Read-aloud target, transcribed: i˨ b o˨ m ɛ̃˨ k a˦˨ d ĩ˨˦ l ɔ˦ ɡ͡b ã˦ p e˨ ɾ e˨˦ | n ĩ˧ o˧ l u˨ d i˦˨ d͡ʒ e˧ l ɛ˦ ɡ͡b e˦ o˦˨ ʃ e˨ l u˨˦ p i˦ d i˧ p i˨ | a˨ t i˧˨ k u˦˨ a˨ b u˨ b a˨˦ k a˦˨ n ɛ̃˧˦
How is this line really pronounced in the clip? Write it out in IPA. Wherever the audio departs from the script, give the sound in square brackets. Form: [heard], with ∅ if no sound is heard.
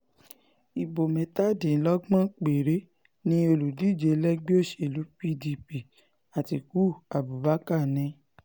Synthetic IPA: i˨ b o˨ m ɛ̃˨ [t] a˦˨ d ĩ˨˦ l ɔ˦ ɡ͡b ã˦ [k͡p] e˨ ɾ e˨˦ | n ĩ˧ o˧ l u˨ d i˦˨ d͡ʒ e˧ l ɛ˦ ɡ͡b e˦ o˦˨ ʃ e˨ l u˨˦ p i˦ d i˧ p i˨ | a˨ t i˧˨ k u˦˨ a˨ b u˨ b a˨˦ k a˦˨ n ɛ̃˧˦